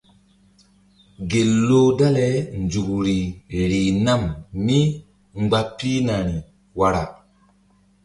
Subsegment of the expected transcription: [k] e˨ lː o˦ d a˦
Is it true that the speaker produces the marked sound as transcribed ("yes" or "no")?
no